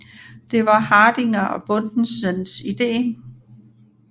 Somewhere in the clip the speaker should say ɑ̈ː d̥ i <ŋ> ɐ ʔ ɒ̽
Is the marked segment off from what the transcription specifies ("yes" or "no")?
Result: no